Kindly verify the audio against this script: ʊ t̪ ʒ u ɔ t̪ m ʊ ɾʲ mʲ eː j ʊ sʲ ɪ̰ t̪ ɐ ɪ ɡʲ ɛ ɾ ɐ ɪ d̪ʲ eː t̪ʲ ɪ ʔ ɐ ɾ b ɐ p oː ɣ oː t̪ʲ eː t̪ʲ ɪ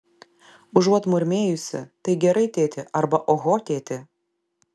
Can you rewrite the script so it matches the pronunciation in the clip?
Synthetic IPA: ʊ ʒ u ɔ t̪ m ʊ ɾʲ mʲ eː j ʊ sʲ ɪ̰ t̪ ɐ ɪ ɡʲ ɛ ɾ ɐ ɪ t̪ʲ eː t̪ʲ ɪ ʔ ɐ ɾ b ɐ ʔ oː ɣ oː t̪ʲ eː t̪ʲ ɪ